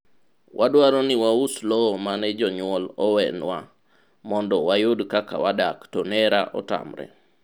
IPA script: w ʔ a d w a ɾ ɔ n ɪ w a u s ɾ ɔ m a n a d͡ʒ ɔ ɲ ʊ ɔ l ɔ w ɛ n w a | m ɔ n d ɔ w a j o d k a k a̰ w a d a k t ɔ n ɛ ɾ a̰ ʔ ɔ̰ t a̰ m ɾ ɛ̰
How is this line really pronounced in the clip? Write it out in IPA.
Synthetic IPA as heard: w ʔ a d w a ɾ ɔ n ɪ w a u s l ɔ m a n ɛ d͡ʒ ɔ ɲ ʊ ɔ l ɔ w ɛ n w a | m ɔ n d ɔ w a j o d k a k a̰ w a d a k t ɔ n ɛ ɾ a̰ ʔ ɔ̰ t a̰ m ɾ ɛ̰